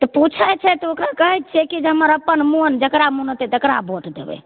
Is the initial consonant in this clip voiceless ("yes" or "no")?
yes